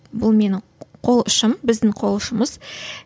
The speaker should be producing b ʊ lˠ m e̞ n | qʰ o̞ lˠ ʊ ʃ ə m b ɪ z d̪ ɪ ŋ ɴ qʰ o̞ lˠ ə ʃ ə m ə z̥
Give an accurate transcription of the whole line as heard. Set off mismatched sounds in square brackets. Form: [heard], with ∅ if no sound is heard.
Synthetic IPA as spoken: b ʊ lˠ m e̞ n | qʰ o̞ lˠ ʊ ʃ ə m b ɪ z d̪ ɪ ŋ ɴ qʰ o̞ lˠ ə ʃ ə m ə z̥